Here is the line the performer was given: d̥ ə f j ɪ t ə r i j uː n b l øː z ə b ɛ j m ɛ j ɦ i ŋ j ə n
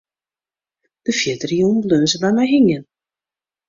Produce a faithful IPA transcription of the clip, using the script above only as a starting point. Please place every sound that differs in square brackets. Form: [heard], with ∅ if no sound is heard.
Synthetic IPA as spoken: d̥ ə f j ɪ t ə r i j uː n b l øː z ə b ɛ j m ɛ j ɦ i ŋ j ə n